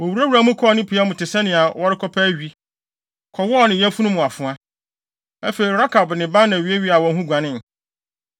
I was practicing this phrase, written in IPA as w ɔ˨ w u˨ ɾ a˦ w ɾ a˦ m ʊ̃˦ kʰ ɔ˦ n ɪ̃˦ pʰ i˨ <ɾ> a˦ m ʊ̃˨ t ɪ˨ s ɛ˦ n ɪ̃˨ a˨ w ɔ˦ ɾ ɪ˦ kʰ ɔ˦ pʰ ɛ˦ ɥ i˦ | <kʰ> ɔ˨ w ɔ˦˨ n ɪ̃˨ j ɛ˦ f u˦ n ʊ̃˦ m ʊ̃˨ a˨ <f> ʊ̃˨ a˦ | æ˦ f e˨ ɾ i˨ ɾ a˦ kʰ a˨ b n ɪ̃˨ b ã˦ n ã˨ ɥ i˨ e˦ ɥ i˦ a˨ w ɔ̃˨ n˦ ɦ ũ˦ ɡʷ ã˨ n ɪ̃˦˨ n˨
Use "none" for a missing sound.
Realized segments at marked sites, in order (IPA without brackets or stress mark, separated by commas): none, kʰ, f